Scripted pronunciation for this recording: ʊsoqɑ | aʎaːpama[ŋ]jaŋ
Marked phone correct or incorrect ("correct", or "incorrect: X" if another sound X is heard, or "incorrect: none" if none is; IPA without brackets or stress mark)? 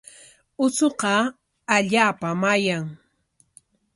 incorrect: none